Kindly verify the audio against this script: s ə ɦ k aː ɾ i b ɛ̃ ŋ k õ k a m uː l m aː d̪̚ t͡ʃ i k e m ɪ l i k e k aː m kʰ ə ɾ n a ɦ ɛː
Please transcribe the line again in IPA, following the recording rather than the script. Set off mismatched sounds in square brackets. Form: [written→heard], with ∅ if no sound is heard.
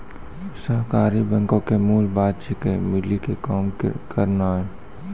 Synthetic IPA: s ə ɦ k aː ɾ i b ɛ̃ ŋ k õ k [a→e] m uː l [m→b] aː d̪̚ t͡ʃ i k e m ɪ l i k e k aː m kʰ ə ɾ n a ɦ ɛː